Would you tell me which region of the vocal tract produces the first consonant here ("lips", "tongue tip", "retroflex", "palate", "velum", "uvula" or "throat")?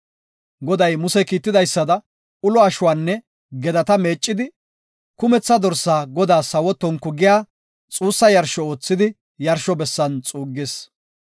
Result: velum